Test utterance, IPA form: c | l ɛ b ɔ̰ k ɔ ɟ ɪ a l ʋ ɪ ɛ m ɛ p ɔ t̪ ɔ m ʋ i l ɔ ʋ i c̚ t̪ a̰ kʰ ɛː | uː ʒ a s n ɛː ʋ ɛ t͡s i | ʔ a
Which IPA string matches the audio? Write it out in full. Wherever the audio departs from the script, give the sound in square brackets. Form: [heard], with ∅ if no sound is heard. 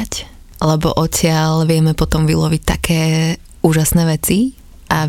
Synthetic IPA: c | l ɛ b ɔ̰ [ʔ] ɔ [c] ɪ a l ʋ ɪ ɛ m ɛ p ɔ t̪ ɔ m ʋ i l ɔ ʋ i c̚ t̪ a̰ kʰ ɛː | uː ʒ a s n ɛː ʋ ɛ t͡s i | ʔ a